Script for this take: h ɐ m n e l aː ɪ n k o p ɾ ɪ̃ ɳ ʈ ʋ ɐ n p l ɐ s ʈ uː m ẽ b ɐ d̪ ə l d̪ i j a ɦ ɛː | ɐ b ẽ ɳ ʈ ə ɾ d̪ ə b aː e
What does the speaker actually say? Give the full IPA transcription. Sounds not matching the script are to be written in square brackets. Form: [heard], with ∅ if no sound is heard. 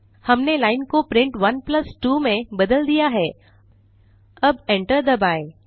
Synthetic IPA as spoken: h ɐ m n e l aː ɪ n k o p ɾ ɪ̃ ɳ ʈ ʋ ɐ n p l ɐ s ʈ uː m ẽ b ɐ d̪ ə l d̪ i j a ɦ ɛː | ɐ b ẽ ɳ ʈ ə ɾ d̪ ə b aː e